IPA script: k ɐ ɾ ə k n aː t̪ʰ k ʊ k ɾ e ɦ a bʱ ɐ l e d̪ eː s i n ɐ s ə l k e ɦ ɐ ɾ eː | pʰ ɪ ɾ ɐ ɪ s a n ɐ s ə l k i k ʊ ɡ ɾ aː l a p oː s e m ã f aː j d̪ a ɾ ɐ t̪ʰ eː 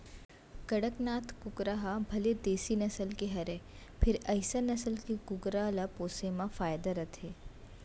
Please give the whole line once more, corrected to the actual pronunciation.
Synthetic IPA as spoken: k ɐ ɽ ə k n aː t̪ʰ k ʊ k ɾ a ɦ a bʱ ɐ l e d̪ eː s i n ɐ s ə l k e ɦ ɐ ɾ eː | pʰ ɪ ɾ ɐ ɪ s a n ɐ s ə l k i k ʊ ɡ ɾ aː l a p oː s e m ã f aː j d̪ a ɾ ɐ t̪ʰ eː